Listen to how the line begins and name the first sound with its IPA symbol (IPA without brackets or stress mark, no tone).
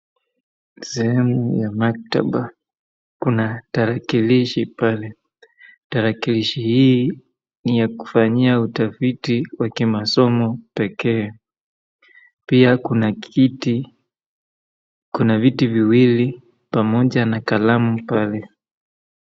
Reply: s